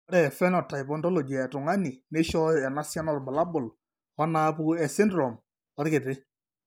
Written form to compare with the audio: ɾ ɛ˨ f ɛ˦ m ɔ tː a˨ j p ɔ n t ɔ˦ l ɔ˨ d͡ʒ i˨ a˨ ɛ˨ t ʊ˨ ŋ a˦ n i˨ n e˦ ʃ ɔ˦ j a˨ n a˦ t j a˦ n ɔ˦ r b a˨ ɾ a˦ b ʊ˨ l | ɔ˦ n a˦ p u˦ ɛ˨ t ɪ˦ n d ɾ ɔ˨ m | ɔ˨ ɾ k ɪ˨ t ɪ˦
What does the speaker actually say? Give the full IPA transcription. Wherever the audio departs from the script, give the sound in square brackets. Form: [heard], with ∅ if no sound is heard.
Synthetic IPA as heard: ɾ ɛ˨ f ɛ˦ [n] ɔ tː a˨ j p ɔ n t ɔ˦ l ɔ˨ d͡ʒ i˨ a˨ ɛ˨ t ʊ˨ ŋ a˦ n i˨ n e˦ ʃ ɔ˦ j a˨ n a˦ [s] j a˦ n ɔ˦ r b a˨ [l] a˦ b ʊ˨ l | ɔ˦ n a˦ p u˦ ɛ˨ [s] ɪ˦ n d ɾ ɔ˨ m | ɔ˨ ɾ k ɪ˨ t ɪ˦